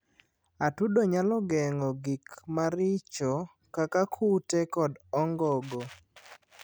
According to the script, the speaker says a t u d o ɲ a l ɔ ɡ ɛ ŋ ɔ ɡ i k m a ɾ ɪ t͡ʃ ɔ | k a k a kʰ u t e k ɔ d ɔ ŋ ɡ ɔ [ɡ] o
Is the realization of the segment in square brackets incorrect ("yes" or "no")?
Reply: no